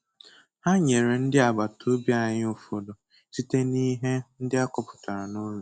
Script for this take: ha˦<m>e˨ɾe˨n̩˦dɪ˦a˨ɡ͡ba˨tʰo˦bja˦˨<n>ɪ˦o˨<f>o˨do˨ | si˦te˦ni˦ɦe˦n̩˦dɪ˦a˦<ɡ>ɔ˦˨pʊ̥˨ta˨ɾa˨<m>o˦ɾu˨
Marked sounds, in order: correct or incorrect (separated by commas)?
incorrect, incorrect, correct, incorrect, incorrect